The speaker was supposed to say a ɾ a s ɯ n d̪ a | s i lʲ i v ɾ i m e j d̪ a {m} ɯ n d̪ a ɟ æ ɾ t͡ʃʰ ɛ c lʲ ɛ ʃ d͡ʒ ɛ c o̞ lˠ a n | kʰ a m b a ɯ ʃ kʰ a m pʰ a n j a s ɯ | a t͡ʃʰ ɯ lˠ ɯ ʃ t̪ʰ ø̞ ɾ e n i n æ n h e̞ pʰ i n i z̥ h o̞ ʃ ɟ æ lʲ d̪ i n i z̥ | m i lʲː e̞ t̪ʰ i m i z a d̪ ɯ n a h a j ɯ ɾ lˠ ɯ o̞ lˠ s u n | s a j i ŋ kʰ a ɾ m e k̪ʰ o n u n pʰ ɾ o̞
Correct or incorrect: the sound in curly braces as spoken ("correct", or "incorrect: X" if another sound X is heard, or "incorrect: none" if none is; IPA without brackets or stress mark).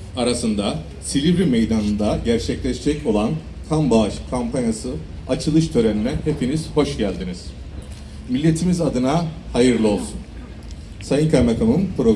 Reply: incorrect: n